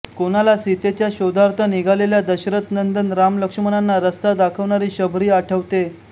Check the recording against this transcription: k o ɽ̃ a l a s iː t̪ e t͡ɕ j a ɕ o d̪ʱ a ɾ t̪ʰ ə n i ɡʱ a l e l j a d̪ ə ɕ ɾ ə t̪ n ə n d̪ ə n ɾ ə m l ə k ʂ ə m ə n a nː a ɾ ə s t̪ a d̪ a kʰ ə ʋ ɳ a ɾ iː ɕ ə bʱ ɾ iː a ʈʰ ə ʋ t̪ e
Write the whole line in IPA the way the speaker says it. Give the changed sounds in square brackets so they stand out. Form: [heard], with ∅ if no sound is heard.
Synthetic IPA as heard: k o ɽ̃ a l a s [i] t̪ e t͡ɕ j a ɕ o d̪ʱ a ɾ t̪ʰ ə n i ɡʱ a l e l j a d̪ ə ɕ ɾ ə t̪ n ə n d̪ ə n ɾ [a] m l ə k ʂ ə m ə n a nː a ɾ ə s t̪ a d̪ a kʰ ə ʋ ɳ a ɾ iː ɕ ə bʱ ɾ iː a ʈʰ ə ʋ t̪ e